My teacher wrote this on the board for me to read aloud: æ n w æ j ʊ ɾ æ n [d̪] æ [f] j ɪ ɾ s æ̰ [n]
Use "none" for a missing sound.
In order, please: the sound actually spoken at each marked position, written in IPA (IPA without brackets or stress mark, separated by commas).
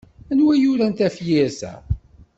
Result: t̪, f, none